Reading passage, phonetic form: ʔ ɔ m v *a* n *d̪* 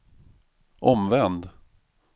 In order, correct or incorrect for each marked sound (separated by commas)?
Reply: incorrect, correct